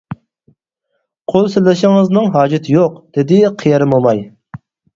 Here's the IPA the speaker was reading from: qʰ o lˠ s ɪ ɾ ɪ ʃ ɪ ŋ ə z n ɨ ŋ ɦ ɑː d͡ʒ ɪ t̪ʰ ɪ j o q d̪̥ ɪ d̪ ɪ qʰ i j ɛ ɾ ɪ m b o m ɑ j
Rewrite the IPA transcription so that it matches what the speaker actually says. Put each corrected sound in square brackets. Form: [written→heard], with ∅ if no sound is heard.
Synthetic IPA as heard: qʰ o lˠ s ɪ [ɾ→l] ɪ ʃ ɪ ŋ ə z n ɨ ŋ ɦ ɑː d͡ʒ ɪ t̪ʰ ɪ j o q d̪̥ ɪ d̪ ɪ qʰ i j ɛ ɾ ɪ m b o m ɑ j